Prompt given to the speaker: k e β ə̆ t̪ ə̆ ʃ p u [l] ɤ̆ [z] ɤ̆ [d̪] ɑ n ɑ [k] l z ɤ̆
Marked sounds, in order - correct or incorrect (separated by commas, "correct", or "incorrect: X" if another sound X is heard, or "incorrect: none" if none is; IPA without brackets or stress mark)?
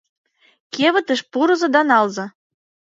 incorrect: ɾ, correct, correct, incorrect: none